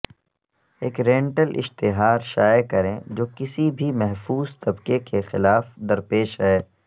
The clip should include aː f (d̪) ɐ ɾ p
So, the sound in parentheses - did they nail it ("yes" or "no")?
yes